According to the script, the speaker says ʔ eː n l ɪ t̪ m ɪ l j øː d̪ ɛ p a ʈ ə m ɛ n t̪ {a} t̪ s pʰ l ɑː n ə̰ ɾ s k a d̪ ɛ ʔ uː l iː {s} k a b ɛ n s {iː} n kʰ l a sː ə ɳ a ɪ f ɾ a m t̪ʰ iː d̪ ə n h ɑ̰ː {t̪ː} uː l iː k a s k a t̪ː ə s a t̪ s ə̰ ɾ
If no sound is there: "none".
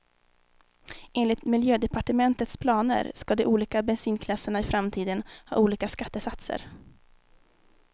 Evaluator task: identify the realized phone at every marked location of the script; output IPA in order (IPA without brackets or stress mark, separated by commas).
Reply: ə, none, iː, none